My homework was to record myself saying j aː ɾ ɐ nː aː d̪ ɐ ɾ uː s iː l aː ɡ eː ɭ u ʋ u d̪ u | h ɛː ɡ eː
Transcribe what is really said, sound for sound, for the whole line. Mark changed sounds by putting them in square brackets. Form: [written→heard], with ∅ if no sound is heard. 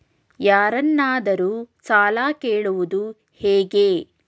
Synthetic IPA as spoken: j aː ɾ ɐ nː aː d̪ ɐ ɾ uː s [iː→aː] l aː [ɡ→k] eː ɭ u ʋ u d̪ u | h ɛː ɡ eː